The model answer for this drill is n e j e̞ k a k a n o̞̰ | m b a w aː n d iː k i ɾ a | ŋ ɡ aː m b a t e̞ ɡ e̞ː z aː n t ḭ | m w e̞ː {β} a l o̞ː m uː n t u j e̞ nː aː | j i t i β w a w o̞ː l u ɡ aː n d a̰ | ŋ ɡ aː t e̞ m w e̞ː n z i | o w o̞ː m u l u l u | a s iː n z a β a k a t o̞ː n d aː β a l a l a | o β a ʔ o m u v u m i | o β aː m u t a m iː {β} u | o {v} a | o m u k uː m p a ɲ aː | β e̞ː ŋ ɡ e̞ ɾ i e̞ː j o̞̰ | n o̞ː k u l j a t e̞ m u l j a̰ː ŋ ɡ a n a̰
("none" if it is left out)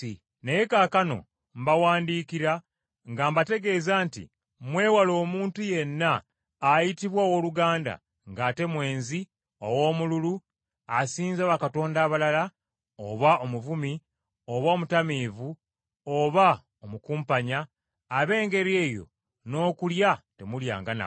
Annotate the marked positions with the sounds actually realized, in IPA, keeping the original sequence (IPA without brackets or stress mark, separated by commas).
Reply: w, v, β